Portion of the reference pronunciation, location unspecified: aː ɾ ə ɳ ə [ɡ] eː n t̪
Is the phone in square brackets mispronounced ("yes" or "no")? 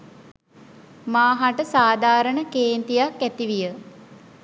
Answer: yes